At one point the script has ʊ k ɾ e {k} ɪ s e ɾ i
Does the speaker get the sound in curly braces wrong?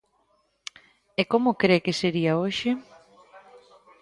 no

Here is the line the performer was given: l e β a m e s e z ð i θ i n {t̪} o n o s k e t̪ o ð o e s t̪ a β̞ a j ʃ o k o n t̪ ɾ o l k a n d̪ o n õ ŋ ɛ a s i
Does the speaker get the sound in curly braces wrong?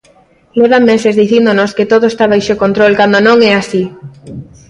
yes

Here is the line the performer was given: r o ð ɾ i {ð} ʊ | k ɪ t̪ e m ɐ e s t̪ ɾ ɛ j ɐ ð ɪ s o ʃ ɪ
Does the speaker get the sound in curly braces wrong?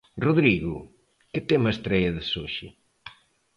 yes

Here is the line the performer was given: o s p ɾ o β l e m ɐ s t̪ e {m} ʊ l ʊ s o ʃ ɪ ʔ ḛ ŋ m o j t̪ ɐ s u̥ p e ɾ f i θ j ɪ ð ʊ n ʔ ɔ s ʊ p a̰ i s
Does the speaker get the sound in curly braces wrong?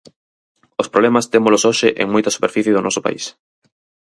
no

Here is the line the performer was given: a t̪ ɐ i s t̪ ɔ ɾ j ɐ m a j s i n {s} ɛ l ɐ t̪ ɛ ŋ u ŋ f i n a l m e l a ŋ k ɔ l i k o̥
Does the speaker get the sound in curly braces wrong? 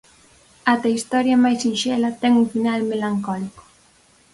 yes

